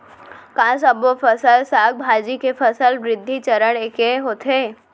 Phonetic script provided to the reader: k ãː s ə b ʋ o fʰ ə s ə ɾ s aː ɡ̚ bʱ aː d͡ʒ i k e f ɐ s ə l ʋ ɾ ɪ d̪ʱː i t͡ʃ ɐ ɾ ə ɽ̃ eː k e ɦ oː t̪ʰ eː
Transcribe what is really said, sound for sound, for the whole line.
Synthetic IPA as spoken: k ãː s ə b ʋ o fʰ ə s ə l s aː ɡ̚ bʱ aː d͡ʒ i k e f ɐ s ə l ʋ ɾ ɪ d̪ʱː i t͡ʃ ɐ ɾ ə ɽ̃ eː k e ɦ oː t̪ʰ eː